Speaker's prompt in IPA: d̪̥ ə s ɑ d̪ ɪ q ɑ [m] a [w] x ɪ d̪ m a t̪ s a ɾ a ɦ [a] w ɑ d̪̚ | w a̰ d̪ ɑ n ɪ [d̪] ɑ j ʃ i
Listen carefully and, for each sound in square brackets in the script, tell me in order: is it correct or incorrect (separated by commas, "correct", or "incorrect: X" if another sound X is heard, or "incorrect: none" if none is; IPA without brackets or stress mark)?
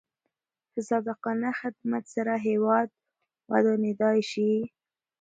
incorrect: n, incorrect: none, incorrect: e, correct